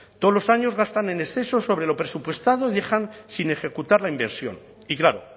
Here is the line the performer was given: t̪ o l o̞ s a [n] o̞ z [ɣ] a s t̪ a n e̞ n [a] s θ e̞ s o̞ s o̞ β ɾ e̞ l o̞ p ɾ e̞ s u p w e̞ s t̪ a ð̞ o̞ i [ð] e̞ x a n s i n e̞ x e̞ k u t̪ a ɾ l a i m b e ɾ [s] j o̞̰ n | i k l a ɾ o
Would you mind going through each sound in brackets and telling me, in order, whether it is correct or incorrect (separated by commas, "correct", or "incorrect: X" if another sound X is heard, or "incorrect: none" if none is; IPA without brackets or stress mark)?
incorrect: ɲ, correct, incorrect: e, correct, correct